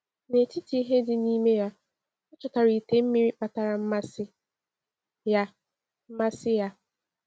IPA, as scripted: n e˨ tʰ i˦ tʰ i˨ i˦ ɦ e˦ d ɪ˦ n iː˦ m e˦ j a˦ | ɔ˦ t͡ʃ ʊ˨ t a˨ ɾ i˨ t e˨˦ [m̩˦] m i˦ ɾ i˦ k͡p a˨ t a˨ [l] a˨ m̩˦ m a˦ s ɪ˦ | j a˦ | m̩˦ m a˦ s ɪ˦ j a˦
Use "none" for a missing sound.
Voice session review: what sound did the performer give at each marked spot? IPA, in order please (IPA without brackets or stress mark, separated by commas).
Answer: m̩˦, ɾ